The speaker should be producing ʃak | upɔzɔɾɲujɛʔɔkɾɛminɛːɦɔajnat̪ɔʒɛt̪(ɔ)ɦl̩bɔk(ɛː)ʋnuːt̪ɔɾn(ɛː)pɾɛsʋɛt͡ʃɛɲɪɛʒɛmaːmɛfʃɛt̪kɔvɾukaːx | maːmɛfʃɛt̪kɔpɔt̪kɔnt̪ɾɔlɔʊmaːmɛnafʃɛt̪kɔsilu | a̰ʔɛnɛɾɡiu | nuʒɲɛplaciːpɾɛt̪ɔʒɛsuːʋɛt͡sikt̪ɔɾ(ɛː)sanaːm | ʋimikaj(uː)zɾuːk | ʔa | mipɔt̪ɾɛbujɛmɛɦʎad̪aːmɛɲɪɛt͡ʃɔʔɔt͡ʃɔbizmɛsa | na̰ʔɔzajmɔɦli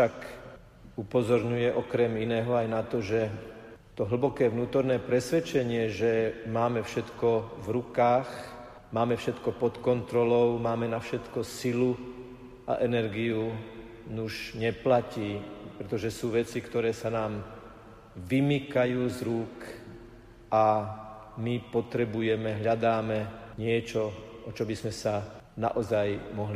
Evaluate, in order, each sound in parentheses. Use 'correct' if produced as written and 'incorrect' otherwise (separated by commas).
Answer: correct, correct, correct, correct, correct